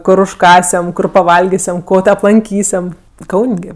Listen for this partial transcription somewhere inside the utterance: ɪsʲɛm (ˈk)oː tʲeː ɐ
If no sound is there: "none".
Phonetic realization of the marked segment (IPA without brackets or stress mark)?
k